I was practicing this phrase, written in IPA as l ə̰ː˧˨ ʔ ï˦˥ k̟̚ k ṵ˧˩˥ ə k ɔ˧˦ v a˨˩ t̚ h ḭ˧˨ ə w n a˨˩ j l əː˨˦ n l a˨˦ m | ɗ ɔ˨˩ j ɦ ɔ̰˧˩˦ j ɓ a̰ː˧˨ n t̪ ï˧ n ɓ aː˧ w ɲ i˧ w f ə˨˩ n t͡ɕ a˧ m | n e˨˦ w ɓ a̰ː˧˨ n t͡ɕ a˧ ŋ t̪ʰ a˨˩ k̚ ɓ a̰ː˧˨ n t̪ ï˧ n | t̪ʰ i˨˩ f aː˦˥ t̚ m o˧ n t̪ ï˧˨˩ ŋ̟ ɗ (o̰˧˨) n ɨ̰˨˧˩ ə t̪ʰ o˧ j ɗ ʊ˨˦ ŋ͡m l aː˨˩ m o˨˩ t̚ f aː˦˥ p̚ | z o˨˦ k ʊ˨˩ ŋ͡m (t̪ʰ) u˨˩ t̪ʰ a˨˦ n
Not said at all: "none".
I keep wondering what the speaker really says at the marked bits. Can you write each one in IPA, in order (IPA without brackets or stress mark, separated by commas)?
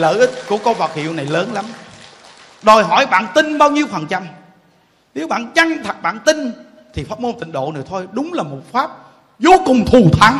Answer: o̰˧˨, t̪ʰ